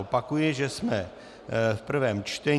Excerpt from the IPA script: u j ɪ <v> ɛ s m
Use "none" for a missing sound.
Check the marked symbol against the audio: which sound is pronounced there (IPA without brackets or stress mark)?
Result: ʒ